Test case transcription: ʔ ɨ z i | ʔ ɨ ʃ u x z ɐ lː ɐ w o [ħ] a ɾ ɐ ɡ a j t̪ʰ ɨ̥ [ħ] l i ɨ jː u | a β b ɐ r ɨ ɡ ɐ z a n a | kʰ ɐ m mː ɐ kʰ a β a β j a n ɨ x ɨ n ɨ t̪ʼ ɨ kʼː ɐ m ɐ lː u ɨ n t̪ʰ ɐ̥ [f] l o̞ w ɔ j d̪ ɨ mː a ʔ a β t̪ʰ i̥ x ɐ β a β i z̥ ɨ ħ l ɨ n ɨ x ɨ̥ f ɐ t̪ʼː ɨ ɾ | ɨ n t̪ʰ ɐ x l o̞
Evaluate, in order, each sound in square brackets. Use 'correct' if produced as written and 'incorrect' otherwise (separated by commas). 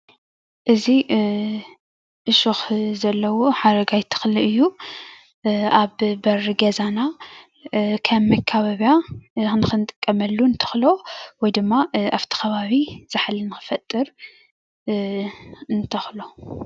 correct, incorrect, incorrect